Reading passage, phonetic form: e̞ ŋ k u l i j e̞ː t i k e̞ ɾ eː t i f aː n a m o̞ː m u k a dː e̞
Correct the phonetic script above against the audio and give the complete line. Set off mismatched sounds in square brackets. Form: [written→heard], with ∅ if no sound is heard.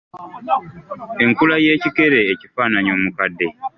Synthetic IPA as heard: e̞ ŋ k u l [i→a] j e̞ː [t→c] i k e̞ ɾ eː [t→c] i f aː n a [m→ɲ] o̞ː m u k a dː e̞